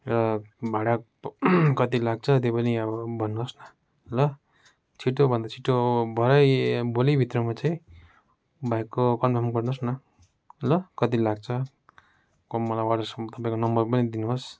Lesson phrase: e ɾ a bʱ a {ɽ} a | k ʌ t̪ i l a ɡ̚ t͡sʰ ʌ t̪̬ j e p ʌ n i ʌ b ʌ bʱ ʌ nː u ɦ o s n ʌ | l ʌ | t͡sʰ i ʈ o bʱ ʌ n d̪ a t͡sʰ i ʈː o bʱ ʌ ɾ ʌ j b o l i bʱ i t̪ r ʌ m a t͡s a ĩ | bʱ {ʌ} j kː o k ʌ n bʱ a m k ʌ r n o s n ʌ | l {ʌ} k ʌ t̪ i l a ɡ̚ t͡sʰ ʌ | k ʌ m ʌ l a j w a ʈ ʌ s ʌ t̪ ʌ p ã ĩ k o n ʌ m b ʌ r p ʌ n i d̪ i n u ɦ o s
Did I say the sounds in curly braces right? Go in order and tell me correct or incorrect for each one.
correct, incorrect, correct

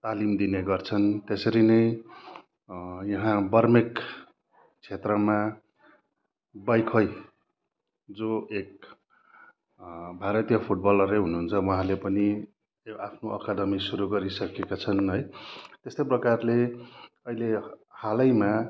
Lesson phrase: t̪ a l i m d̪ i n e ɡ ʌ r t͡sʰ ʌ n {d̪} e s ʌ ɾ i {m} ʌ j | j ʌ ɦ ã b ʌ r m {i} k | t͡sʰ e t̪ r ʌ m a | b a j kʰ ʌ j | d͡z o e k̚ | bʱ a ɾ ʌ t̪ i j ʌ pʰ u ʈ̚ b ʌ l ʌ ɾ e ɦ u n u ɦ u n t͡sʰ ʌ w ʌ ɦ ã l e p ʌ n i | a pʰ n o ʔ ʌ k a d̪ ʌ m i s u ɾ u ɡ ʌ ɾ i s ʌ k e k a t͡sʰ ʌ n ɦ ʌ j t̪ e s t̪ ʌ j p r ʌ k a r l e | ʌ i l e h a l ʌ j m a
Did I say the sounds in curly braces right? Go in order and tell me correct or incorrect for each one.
incorrect, incorrect, incorrect

